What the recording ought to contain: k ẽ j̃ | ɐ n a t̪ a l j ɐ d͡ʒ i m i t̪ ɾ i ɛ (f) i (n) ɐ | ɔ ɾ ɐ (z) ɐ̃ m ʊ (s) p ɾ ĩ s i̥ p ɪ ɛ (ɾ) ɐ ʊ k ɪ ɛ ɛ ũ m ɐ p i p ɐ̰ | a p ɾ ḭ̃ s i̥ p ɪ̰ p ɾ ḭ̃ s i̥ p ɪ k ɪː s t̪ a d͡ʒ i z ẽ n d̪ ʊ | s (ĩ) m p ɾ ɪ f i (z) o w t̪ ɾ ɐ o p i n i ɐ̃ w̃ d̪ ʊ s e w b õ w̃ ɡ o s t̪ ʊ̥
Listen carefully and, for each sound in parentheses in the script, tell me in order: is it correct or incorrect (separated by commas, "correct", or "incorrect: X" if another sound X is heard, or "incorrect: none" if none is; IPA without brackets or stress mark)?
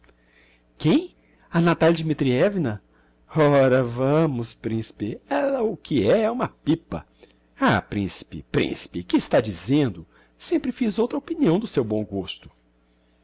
incorrect: v, correct, incorrect: v, correct, incorrect: l, incorrect: ẽ, correct